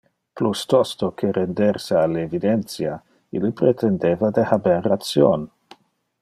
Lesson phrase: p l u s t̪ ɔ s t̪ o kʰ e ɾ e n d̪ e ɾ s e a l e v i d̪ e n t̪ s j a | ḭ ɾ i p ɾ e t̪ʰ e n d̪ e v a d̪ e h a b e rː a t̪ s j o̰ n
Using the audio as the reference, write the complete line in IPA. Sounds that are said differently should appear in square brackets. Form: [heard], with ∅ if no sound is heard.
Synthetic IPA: p l u s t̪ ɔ s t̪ o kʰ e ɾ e n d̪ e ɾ s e a l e v i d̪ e n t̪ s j a | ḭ [l] i p ɾ e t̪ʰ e n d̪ e v a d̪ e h a b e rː a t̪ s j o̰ n